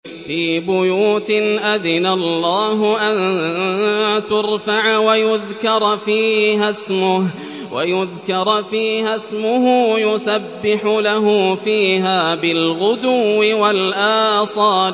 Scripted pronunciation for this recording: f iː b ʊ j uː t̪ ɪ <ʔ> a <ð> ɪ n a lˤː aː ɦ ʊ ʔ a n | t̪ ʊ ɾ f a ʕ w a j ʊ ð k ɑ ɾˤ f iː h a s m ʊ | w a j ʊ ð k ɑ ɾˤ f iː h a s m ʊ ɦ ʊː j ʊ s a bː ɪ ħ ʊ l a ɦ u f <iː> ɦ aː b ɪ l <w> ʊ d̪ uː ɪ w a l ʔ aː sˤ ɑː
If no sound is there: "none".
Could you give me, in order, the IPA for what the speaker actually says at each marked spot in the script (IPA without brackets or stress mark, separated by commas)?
ʔ, ð, iː, ɣ